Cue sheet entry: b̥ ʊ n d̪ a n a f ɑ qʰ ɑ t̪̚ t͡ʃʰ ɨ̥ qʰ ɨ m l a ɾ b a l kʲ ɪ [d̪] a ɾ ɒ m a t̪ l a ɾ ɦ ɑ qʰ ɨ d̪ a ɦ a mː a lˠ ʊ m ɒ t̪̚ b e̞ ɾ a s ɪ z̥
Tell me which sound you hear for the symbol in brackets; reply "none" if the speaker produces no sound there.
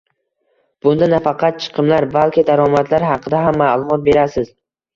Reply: d̪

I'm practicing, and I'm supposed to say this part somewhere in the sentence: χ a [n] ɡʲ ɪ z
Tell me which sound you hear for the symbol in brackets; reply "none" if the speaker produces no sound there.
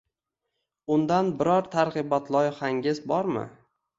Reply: ŋ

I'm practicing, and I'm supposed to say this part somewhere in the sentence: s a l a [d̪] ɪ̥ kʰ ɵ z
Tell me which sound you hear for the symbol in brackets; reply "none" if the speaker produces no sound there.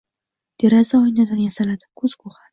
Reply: d̪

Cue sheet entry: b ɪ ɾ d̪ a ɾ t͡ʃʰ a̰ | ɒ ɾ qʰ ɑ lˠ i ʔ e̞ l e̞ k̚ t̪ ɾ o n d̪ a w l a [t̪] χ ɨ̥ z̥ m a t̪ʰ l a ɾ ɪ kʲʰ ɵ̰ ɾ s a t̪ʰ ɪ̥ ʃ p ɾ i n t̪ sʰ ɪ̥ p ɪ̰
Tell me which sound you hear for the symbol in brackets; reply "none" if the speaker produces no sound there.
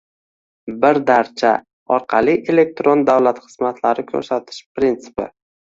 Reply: t̪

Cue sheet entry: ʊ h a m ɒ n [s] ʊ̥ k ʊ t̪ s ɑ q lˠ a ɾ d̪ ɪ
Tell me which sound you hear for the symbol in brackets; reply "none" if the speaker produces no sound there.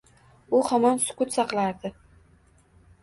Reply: s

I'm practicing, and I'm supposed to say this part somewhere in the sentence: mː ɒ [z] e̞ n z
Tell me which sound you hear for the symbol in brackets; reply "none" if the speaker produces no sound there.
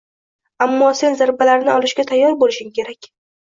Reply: s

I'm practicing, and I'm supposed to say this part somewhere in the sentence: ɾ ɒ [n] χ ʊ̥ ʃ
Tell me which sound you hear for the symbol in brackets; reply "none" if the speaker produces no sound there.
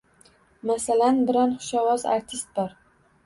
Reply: n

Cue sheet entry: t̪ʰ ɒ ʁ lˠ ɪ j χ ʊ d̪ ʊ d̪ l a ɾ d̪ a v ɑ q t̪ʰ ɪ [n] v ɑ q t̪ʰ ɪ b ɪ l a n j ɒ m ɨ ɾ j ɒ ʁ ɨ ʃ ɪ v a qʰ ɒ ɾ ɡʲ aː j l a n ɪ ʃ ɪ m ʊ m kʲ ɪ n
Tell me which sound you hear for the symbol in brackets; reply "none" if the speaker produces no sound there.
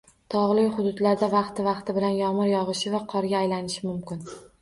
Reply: none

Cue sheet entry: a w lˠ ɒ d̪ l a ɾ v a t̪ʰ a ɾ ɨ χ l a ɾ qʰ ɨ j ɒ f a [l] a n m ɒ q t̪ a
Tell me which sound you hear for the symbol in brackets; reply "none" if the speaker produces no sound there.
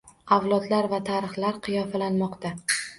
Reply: l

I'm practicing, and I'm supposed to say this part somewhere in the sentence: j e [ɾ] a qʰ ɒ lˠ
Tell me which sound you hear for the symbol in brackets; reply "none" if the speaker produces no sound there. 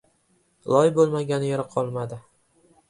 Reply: ɾ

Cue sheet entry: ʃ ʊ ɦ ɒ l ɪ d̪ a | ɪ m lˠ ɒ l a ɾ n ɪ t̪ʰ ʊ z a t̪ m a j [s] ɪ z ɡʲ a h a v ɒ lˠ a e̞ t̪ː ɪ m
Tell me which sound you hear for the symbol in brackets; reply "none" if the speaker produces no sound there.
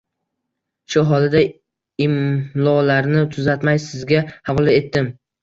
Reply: s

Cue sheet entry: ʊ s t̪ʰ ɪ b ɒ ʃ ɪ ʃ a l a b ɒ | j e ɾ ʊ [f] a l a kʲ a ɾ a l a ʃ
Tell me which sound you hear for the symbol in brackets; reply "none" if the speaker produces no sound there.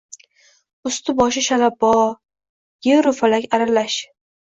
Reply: f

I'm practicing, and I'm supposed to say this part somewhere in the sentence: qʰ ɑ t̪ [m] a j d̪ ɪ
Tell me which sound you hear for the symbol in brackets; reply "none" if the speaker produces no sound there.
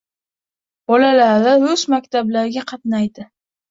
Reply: n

